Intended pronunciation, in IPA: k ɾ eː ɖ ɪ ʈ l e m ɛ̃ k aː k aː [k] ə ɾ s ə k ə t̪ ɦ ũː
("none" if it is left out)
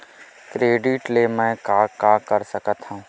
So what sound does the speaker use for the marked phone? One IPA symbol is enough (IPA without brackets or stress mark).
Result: k